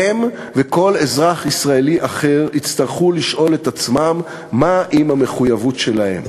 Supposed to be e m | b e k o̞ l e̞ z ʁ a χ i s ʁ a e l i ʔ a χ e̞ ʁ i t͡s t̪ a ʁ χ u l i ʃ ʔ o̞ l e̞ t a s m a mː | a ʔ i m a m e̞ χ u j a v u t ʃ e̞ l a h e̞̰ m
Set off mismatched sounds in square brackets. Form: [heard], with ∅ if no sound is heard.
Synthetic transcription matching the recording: e m | [v] e k o̞ l e̞ z ʁ a χ i s ʁ a e l i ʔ a χ e̞ ʁ i t͡s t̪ a ʁ χ u l i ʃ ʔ o̞ l e̞ t a [t͡s] m a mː | a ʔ i m a m e̞ χ u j a v u t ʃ e̞ l a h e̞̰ m